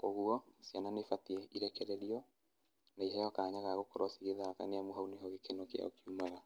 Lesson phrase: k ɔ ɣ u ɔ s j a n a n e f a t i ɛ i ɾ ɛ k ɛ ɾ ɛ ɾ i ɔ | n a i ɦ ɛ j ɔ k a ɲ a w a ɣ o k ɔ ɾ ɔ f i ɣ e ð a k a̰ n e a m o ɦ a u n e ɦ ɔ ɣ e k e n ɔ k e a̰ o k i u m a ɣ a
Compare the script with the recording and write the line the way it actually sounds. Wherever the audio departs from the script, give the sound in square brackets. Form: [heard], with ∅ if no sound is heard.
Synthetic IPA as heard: k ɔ ɣ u ɔ s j a n a n e f a t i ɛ i ɾ ɛ k ɛ ɾ ɛ ɾ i ɔ | n a i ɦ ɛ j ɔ k a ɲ a [ɣ] a ɣ o k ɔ ɾ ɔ [s] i ɣ e ð a k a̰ n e a m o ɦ a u n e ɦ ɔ ɣ e k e n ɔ k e a̰ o k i u m a ɣ a